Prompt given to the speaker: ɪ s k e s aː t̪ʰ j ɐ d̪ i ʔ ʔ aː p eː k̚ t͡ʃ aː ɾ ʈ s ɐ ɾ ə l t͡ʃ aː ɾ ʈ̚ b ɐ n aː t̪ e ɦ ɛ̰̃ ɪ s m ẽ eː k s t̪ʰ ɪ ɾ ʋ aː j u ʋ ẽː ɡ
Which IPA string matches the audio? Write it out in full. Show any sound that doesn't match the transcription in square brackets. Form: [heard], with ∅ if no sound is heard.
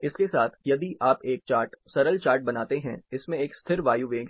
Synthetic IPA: ɪ s k e s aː t̪ʰ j ɐ d̪ i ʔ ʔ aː p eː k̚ t͡ʃ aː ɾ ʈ s ɐ ɾ ə l t͡ʃ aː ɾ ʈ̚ b ɐ n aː t̪ e ɦ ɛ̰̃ ɪ s m ẽ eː k s t̪ʰ ɪ ɾ ʋ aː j u ʋ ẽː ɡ